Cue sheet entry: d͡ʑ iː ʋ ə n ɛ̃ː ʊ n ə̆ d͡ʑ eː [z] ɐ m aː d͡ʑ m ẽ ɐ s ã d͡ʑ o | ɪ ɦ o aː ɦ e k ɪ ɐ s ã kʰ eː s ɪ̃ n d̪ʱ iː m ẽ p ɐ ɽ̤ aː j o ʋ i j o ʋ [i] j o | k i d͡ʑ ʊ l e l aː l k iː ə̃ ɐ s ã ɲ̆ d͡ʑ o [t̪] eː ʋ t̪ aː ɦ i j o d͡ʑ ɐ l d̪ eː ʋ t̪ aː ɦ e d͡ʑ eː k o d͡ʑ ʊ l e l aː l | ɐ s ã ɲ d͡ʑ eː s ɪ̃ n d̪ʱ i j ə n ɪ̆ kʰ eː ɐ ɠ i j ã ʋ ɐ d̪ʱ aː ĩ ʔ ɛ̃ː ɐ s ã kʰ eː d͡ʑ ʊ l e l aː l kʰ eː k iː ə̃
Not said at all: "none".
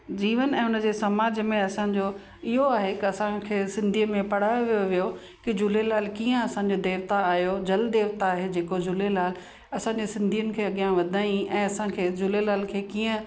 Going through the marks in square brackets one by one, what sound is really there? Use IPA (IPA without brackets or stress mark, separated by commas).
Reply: s, i, d̪